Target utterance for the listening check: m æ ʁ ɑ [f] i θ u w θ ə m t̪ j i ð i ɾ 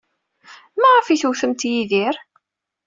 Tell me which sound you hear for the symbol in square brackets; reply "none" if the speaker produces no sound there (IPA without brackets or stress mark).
f